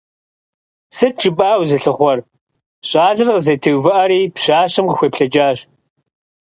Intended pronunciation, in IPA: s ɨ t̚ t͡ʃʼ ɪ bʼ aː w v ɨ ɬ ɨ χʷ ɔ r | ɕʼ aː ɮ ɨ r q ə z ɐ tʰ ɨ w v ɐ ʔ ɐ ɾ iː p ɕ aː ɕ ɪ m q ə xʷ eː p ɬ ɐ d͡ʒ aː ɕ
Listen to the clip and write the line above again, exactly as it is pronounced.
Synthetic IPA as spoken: s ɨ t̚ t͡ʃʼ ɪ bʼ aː w z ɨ ɬ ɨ χʷ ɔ r | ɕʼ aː ɮ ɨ r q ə z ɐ tʰ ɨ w v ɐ ʔ ɐ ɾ iː p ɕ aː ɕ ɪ m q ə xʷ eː p ɬ ɐ d͡ʒ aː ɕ